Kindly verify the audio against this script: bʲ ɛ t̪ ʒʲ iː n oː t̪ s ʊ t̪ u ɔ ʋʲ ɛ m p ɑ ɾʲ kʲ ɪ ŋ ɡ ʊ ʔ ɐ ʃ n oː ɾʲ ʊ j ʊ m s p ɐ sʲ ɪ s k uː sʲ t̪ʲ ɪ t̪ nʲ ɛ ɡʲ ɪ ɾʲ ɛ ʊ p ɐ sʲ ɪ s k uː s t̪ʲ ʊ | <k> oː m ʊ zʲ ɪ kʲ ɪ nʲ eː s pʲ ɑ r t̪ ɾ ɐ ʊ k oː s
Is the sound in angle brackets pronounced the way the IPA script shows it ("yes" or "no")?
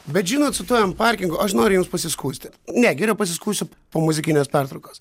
no